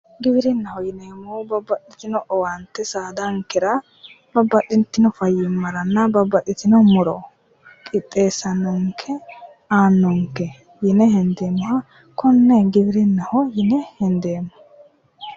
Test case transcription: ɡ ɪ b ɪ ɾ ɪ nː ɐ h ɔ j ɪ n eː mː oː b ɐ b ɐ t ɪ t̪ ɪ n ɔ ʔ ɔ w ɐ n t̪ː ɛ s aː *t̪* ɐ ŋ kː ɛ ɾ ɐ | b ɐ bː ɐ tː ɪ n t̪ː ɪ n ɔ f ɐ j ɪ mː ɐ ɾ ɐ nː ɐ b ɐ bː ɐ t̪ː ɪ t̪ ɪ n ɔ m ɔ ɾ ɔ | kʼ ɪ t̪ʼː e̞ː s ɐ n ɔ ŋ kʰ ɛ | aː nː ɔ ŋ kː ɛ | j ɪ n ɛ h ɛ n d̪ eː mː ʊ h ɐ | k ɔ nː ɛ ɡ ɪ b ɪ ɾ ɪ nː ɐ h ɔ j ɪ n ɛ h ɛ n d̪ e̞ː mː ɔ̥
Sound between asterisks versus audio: incorrect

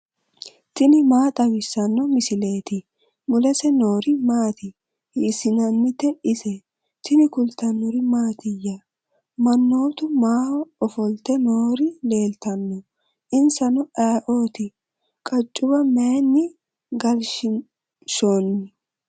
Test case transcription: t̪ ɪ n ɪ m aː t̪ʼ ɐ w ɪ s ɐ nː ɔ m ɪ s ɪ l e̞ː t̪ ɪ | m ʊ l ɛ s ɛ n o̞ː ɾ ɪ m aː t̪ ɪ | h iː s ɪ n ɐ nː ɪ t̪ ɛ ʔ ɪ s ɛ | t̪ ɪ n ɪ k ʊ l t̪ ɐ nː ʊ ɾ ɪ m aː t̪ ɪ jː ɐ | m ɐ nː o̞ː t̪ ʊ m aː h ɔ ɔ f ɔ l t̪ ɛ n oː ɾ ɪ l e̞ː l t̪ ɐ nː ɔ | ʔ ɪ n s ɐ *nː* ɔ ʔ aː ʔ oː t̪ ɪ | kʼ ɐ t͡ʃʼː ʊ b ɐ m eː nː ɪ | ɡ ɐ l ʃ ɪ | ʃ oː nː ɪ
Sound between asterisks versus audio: incorrect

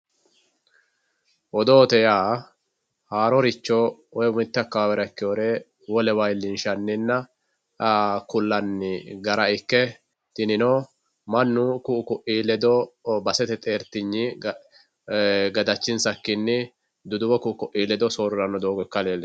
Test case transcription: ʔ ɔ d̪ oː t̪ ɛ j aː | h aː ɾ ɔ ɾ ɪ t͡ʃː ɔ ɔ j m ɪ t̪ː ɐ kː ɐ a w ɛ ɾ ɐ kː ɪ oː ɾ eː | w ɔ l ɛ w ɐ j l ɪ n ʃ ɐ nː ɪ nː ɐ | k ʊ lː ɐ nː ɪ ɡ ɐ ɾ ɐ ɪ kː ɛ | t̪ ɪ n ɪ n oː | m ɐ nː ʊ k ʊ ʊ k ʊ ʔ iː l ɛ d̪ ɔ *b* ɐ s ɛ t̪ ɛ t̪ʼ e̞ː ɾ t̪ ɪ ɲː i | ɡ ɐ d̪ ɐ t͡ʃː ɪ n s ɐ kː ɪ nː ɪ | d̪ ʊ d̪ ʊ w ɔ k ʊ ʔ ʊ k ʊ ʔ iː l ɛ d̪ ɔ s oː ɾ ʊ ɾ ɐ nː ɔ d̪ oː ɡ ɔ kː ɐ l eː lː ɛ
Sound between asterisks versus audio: correct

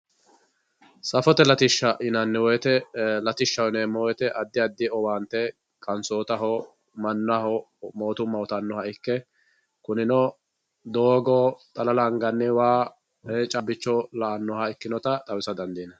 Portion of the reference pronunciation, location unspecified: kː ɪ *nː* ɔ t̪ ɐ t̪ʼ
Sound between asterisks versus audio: incorrect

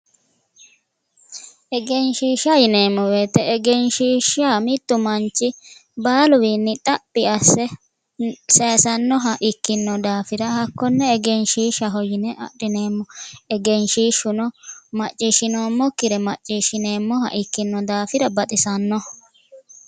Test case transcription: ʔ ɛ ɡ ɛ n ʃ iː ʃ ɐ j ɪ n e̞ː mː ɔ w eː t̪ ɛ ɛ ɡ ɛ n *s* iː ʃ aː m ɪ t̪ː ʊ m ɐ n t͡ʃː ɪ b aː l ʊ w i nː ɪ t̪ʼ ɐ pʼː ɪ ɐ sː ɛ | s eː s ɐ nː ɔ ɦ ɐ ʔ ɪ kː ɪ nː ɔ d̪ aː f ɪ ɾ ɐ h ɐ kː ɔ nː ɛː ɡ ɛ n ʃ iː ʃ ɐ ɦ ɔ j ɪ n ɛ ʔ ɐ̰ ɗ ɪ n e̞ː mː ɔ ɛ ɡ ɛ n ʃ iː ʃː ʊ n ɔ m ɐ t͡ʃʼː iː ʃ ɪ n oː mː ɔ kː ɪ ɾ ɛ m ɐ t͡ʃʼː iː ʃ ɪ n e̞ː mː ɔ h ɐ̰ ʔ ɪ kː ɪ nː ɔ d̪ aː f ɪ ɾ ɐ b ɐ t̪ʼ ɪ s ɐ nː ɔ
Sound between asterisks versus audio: incorrect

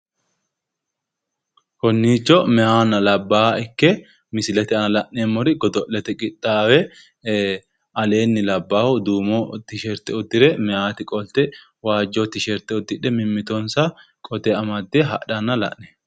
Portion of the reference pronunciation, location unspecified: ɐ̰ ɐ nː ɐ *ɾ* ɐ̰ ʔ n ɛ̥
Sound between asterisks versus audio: incorrect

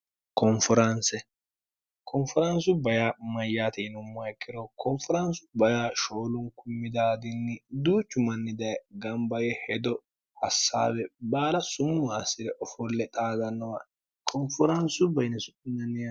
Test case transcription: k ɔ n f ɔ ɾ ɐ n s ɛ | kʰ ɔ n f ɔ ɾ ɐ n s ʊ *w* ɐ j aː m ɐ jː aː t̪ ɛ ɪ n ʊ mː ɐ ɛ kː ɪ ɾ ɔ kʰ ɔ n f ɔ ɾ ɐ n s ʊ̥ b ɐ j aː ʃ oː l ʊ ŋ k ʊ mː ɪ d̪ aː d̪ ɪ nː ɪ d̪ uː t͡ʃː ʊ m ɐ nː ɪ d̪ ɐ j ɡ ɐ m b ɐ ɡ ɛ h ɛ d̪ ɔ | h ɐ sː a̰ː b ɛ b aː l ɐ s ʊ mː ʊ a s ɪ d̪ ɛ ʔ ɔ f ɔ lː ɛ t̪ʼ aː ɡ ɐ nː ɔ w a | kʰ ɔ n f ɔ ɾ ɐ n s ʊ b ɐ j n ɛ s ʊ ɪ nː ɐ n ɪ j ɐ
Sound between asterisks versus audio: incorrect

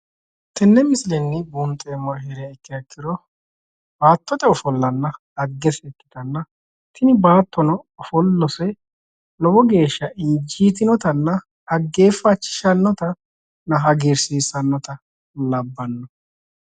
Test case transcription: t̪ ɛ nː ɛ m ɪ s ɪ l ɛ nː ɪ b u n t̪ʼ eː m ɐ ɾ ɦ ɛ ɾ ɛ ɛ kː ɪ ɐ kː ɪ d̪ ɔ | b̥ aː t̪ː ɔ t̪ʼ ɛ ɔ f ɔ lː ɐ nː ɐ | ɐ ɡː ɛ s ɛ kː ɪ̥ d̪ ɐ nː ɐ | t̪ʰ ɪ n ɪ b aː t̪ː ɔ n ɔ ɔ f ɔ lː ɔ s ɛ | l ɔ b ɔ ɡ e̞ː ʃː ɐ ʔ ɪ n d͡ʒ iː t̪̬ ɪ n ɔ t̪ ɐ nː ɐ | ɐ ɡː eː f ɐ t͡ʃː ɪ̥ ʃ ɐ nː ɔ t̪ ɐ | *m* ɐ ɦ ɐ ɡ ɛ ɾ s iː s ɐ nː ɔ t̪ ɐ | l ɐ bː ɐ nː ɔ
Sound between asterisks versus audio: incorrect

